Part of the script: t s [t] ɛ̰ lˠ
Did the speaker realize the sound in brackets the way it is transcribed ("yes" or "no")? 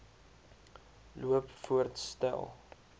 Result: yes